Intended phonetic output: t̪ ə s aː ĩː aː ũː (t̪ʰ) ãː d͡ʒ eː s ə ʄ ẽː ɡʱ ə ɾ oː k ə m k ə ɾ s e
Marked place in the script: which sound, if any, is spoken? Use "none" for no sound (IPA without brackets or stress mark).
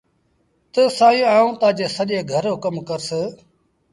t̪